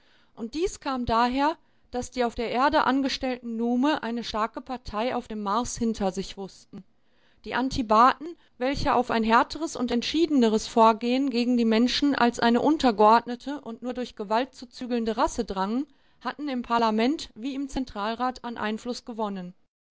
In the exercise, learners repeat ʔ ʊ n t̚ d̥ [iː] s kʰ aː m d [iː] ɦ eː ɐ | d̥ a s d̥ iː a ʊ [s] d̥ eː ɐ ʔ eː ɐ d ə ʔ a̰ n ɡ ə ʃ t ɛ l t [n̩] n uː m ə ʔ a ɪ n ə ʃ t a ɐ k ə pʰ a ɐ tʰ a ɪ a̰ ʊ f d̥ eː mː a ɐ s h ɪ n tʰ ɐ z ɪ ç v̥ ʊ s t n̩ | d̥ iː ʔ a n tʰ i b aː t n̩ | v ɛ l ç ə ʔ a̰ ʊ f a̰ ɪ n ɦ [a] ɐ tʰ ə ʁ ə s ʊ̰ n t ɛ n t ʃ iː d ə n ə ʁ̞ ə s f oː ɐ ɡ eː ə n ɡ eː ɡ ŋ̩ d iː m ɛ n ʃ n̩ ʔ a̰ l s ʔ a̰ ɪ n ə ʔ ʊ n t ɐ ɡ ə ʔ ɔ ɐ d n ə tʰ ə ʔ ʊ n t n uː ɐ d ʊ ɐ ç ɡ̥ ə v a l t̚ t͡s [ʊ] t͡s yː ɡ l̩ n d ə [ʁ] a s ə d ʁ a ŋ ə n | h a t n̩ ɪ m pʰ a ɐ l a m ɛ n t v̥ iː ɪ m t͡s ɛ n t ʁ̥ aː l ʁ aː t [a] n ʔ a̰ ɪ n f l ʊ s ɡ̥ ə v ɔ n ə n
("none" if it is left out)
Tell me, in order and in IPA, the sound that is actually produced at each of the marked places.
iː, aː, f, n̩, ɛ, u, ʁ, a

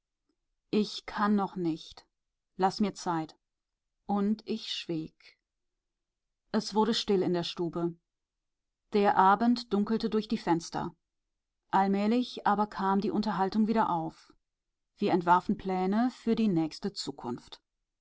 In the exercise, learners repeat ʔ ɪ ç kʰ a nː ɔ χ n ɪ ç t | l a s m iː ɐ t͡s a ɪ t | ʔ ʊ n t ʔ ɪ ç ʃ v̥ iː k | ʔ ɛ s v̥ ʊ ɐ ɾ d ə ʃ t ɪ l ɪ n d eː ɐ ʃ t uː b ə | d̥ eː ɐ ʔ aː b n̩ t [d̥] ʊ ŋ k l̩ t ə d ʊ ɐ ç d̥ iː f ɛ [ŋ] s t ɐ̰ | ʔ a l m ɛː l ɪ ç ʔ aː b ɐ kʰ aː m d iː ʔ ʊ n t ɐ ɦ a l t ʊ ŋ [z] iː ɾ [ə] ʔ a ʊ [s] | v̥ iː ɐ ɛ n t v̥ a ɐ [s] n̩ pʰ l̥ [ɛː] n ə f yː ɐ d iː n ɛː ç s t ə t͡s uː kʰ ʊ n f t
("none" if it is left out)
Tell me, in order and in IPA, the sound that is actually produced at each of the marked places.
d̥, n, v, ɐ, f, f, ɛː

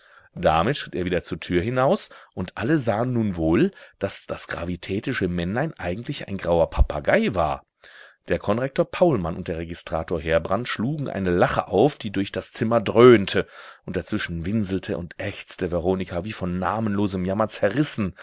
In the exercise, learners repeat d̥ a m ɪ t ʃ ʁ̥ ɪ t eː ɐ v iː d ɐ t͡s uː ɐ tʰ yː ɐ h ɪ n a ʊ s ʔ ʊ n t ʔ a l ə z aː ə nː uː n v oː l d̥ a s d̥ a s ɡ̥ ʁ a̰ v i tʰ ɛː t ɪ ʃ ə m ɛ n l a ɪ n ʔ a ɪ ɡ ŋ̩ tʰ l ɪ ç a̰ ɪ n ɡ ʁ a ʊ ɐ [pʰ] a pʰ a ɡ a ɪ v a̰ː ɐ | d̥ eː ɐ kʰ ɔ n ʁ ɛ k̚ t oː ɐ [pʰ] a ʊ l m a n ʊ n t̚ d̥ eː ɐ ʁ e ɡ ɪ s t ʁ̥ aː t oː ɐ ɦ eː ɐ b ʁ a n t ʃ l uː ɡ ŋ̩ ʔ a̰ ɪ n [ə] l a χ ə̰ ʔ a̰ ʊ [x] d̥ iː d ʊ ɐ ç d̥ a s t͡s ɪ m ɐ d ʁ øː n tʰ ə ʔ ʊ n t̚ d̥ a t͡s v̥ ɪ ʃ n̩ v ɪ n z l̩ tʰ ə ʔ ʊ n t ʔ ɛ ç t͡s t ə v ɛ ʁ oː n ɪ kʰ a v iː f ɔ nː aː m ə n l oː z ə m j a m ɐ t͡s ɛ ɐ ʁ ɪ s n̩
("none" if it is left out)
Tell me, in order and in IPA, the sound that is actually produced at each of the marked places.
pʰ, pʰ, ə, f

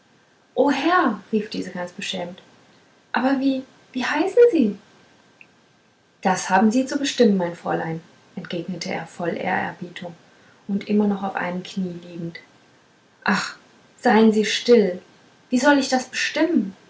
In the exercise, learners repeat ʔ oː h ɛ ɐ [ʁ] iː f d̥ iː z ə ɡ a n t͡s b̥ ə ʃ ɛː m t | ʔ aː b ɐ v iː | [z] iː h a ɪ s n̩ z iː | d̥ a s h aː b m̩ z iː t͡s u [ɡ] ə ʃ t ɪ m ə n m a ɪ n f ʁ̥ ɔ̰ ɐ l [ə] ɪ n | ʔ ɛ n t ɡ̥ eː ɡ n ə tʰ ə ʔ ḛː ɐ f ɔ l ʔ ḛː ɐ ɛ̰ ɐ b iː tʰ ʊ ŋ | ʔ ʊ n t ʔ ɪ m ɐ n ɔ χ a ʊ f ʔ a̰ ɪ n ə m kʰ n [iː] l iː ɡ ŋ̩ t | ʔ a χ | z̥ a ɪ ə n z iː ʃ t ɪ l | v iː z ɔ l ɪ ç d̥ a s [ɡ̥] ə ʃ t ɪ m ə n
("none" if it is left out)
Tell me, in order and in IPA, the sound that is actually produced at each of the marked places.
ʁ, v, b, a, iː, b̥

